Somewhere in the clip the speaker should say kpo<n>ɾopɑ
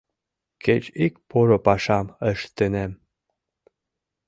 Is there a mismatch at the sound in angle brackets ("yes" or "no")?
yes